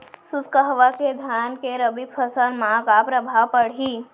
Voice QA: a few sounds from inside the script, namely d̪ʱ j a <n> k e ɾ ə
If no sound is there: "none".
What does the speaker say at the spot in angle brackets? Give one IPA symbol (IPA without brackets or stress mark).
n